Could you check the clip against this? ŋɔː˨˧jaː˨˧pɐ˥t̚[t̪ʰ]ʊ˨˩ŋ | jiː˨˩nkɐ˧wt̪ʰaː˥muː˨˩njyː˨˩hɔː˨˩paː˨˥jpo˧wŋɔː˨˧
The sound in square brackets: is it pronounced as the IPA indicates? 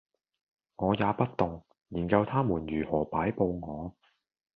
no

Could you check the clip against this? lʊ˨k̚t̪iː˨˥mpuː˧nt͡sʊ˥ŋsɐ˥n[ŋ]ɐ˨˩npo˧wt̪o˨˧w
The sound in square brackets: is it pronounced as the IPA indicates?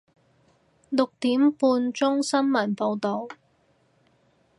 no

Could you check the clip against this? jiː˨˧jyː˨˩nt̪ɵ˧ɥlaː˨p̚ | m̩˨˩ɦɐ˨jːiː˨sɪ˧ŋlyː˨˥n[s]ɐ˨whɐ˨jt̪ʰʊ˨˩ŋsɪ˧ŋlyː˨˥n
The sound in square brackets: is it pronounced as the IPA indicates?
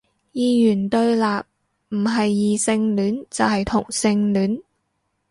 no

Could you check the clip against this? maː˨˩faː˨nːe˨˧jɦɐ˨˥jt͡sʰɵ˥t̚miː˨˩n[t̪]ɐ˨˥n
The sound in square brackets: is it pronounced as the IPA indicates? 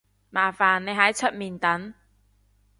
yes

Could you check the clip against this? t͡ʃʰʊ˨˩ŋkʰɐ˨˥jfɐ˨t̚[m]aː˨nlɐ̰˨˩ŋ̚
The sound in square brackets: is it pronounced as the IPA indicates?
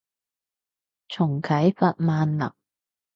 yes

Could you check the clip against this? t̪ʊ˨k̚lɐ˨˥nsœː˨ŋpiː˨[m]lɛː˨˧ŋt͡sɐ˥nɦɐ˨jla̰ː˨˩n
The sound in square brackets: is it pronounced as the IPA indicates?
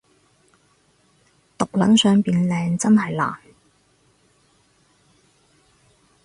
no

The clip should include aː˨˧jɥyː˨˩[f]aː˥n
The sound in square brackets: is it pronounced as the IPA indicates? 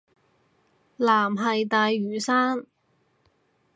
no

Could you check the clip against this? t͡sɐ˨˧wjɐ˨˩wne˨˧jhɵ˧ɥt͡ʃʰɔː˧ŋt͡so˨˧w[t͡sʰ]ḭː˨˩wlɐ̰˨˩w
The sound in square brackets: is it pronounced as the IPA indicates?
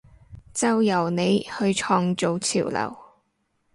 yes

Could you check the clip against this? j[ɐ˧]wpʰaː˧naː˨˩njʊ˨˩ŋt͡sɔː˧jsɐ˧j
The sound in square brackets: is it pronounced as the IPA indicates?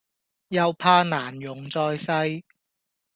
yes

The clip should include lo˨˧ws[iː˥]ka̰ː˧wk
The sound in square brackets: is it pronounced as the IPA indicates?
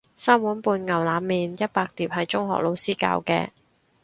yes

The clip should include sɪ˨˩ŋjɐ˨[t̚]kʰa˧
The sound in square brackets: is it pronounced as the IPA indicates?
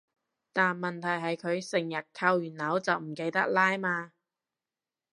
yes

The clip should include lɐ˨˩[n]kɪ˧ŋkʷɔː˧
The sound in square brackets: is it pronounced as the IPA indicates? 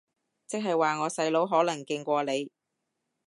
no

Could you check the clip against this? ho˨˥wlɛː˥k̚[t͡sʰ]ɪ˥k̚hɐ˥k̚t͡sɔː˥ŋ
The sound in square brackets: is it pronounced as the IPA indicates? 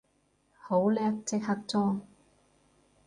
no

